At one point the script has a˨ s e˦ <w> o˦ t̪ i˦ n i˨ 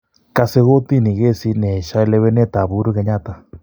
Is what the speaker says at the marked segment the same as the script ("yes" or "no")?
no